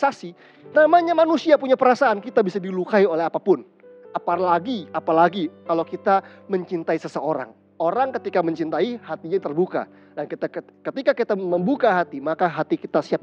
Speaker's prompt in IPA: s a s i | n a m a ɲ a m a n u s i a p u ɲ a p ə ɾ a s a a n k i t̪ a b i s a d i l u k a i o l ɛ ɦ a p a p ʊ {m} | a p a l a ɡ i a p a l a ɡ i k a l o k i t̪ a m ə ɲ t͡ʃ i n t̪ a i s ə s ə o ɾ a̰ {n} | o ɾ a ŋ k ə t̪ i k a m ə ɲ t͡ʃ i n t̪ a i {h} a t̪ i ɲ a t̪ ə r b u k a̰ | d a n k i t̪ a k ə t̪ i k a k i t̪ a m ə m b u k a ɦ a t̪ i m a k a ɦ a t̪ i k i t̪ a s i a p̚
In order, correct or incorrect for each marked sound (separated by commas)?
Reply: incorrect, incorrect, correct